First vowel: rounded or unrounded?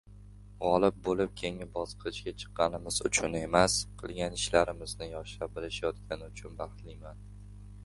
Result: rounded